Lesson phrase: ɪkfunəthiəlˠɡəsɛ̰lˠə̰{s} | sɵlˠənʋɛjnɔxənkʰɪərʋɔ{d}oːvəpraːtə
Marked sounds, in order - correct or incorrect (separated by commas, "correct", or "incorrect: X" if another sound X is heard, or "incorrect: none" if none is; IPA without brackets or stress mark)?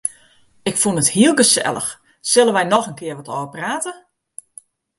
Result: incorrect: x, incorrect: t